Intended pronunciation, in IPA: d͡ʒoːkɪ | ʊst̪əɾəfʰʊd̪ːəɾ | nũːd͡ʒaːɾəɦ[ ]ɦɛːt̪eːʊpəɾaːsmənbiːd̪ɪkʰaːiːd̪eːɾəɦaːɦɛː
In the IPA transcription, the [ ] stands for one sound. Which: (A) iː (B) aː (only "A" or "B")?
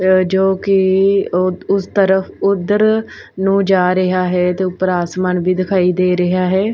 B